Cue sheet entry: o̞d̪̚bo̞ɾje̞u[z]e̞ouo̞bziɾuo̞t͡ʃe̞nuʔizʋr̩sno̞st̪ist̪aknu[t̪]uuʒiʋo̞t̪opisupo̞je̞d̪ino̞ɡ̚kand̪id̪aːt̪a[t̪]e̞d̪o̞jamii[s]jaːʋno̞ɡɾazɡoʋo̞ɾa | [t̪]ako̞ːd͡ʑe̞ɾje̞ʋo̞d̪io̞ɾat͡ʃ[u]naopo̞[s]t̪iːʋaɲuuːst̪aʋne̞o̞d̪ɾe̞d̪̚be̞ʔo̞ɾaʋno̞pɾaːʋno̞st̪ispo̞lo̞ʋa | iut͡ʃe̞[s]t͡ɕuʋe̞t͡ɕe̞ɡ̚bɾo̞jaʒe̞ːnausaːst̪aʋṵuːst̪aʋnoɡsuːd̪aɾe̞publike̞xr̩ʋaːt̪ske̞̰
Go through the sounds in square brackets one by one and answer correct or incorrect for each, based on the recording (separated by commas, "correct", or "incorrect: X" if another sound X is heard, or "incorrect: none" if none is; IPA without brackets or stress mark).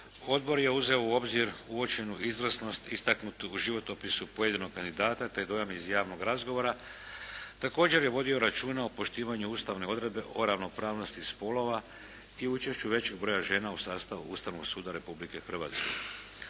correct, correct, correct, incorrect: z, correct, incorrect: uː, incorrect: ʃ, incorrect: ʃ